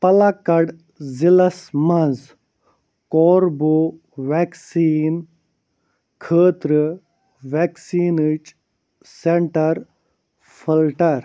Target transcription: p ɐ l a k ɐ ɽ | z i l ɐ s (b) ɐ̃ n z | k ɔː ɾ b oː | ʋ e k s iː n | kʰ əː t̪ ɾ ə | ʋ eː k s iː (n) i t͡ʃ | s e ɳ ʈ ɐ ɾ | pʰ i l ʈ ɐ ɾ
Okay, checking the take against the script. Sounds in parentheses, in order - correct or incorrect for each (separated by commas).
incorrect, correct